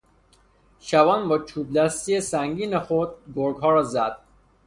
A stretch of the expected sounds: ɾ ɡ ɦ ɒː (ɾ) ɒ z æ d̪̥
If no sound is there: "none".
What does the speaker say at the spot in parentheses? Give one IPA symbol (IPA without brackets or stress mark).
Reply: ɾ